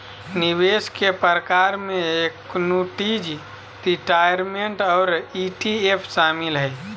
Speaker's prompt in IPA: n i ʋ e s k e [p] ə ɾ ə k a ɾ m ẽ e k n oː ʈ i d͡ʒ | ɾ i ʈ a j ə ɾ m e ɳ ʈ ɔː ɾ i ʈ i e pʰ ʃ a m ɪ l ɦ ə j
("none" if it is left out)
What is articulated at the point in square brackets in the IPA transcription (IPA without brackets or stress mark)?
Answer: p